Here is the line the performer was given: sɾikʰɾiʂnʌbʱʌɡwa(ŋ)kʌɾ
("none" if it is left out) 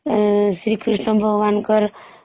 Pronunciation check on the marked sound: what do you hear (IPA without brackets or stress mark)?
n